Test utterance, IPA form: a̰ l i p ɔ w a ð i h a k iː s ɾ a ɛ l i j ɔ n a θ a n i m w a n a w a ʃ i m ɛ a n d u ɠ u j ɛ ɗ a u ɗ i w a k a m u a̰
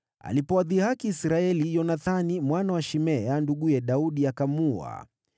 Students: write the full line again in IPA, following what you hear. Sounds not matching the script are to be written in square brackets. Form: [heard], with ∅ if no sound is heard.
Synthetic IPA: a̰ l i p ɔ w a ð i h a k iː s ɾ a ɛ l i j ɔ n a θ a n i m w a n a w a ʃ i m ɛ a n d u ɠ u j ɛ ɗ a u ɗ i [∅] a k a m u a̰